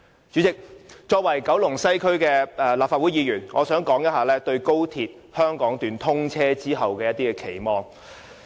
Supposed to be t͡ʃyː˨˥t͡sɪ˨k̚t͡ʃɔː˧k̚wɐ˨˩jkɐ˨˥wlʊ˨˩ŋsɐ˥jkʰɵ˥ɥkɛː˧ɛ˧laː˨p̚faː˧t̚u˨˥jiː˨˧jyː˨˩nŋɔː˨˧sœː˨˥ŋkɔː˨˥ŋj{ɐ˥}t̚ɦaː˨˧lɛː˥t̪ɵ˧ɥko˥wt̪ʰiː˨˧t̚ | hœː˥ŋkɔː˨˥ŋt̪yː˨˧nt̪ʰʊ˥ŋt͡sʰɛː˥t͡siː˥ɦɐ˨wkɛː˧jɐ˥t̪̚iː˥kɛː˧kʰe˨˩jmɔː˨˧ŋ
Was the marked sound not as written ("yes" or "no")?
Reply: no